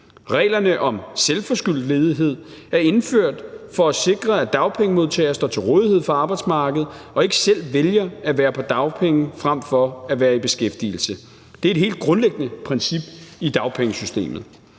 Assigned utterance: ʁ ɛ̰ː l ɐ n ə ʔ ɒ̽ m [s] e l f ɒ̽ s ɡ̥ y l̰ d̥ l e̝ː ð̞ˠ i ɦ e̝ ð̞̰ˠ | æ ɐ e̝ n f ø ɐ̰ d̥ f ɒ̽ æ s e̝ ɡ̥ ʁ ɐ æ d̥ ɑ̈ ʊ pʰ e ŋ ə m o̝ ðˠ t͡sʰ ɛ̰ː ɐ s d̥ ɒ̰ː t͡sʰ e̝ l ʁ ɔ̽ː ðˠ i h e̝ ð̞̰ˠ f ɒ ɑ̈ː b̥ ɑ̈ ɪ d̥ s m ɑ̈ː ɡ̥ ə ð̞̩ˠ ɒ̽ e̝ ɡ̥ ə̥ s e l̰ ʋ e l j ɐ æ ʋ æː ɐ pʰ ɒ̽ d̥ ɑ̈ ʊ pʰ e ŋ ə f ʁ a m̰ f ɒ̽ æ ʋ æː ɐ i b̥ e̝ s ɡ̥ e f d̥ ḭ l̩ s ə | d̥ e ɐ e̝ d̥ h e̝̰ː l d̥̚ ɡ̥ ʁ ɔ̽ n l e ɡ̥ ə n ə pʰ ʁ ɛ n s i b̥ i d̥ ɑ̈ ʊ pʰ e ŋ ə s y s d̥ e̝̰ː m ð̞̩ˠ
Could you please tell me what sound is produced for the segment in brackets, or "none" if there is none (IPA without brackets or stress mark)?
s